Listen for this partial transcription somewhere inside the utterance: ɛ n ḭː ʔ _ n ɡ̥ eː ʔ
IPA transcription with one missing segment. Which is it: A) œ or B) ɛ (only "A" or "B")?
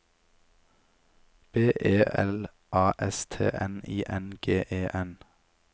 B